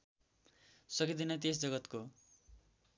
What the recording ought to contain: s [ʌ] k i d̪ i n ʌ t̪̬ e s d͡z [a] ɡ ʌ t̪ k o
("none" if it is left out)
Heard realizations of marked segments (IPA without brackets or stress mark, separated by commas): ʌ, ʌ